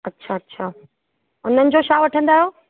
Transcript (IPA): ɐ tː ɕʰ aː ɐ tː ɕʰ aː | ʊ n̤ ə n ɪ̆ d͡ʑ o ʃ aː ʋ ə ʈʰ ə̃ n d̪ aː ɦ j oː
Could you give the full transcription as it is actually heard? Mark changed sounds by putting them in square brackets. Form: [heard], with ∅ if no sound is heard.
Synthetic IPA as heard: ɐ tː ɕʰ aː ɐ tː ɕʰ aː | ʊ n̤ ə n ɪ̆ d͡ʑ o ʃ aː ʋ [ɐ] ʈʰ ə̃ n d̪ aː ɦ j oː

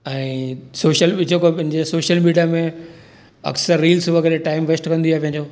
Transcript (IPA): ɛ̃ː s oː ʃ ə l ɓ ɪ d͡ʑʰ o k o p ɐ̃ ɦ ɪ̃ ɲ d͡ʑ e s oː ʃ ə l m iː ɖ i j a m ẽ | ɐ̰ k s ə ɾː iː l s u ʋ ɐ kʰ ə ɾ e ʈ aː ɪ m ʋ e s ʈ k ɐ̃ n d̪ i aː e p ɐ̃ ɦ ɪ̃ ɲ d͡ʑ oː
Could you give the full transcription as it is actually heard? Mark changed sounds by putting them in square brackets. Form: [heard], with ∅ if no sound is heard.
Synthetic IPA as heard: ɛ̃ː s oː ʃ ə l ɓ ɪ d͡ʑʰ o k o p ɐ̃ ɦ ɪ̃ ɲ d͡ʑ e s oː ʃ ə l m iː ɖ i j a m ẽ | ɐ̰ k s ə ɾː iː l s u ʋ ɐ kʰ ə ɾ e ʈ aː ɪ m ʋ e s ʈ k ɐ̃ n d̪ i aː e p ɐ̃ ɦ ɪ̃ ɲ d͡ʑ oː

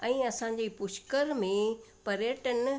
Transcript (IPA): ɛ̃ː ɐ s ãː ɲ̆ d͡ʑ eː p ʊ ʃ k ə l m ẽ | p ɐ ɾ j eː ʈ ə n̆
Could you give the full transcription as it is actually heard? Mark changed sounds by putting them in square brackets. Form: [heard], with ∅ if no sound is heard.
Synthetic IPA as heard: ɛ̃ː ɐ s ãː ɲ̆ d͡ʑ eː p ʊ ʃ k ə [ɾ] m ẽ | p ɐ ɾ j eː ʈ ə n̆

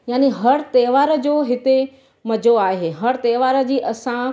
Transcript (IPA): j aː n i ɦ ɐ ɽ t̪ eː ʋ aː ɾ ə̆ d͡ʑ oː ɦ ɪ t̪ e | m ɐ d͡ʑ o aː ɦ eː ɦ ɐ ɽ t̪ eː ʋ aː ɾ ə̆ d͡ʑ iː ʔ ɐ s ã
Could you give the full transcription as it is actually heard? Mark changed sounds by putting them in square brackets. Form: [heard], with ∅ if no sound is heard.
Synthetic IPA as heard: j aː n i ɦ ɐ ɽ t̪ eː ʋ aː ɾ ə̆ d͡ʑ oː ɦ ɪ t̪ e | m ɐ d͡ʑ o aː ɦ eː ɦ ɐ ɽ t̪ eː ʋ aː ɾ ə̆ d͡ʑ iː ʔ ɐ s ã

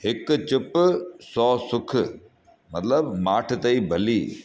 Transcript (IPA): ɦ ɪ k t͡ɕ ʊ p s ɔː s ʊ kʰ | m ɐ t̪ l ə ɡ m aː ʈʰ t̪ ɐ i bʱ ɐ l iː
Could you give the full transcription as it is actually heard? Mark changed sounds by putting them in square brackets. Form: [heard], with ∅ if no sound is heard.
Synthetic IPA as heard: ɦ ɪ k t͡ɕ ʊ p s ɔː s ʊ kʰ | m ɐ t̪ l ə [b] m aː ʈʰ t̪ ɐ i bʱ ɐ l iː

